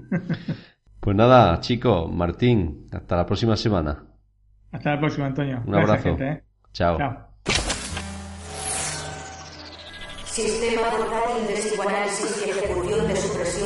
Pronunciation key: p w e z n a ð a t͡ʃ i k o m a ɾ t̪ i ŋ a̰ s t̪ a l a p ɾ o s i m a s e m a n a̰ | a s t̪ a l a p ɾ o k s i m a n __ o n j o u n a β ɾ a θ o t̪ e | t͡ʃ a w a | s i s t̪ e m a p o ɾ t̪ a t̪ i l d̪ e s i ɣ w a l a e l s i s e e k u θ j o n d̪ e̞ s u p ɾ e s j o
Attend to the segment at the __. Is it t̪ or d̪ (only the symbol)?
t̪